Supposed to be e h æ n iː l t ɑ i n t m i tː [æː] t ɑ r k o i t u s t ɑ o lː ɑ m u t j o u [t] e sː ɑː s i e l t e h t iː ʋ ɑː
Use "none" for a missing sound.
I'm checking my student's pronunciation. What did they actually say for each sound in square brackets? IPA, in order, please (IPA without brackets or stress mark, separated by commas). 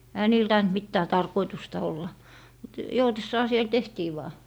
æː, t